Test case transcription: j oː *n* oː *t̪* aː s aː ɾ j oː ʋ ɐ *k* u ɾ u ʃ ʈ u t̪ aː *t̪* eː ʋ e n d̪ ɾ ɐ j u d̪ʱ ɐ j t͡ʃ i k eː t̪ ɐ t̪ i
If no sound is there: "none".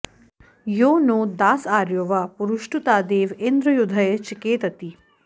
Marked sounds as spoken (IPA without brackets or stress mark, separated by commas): n, d̪, p, d̪